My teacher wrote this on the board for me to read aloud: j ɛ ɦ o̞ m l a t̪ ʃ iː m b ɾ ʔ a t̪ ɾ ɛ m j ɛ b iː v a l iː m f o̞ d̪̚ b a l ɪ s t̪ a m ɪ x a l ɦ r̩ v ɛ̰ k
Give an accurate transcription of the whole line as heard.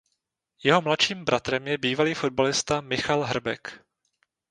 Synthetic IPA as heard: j ɛ ɦ o̞ m l a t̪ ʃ iː m b ɾ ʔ a t̪ ɾ ɛ m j ɛ b iː v a l iː f o̞ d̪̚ b a l ɪ s t̪ a m ɪ x a l ɦ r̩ b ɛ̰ k